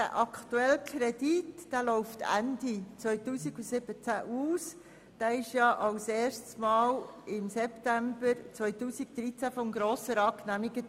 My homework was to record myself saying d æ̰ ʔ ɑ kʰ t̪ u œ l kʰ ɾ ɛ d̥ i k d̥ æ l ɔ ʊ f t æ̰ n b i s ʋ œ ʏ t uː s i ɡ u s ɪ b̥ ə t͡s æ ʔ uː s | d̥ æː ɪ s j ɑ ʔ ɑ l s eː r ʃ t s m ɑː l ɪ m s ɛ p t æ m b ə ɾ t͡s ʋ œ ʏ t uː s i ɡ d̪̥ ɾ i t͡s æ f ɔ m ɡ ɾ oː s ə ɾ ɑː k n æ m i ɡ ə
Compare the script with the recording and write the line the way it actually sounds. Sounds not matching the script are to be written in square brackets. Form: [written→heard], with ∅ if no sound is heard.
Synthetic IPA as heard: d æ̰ ʔ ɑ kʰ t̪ u [œ→ɛ] l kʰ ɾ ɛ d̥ i [k→t] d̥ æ l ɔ ʊ f t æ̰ n [b→d] i [s→t͡s] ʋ œ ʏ t uː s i ɡ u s ɪ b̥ ə t͡s æ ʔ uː s | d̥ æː ɪ [s→ʃ] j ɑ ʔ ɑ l s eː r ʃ t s m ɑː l ɪ m s ɛ p t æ m b ə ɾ t͡s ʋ œ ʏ t uː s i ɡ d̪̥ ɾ i t͡s æ f ɔ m ɡ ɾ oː s ə ɾ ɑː k n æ m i ɡ ə